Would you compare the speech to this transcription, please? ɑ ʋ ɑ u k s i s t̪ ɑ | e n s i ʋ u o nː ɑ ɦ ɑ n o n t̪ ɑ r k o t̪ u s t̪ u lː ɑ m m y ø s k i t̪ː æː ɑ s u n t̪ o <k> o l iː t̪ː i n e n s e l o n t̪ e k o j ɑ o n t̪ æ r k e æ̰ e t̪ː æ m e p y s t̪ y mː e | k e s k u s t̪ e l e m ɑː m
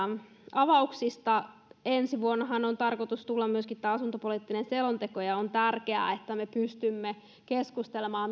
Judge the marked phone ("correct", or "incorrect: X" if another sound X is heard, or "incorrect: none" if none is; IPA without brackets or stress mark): incorrect: p